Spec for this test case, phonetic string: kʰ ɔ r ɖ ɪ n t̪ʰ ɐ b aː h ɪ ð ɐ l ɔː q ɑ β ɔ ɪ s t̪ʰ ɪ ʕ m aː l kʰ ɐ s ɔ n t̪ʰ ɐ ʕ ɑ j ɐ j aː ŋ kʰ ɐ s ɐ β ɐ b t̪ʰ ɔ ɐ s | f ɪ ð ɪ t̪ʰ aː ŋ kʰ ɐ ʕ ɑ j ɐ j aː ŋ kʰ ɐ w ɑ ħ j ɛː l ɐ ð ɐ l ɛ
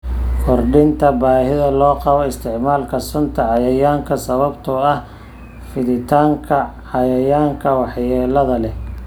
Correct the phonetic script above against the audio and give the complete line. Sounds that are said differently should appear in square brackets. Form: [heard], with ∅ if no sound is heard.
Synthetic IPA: kʰ ɔ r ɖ ɪ n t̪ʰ ɐ b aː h ɪ ð ɐ l ɔː q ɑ β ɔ ɪ s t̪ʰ ɪ ʕ m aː l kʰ ɐ s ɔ n t̪ʰ ɐ ʕ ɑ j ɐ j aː ŋ kʰ ɐ s ɐ β ɐ b t̪ʰ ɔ ɐ [h] | f ɪ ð ɪ t̪ʰ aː ŋ kʰ ɐ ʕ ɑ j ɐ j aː ŋ kʰ ɐ w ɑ ħ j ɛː l ɐ ð ɐ l ɛ